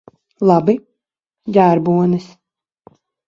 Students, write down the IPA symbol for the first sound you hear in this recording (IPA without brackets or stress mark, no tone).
lˠ